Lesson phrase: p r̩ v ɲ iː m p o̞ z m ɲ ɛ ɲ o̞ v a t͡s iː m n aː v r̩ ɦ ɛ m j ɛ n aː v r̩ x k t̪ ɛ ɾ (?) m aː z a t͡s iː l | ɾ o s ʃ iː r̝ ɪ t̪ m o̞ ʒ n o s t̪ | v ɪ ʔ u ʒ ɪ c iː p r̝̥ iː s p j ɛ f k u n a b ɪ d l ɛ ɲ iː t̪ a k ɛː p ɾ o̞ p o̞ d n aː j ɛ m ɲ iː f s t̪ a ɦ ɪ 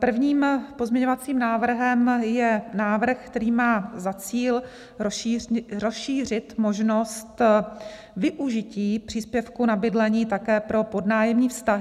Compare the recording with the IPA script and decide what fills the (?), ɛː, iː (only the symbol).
iː